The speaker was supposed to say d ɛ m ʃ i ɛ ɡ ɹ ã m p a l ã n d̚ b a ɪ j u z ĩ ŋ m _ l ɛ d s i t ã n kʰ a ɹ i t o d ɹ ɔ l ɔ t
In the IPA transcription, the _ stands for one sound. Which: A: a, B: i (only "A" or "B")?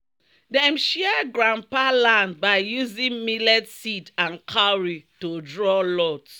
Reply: B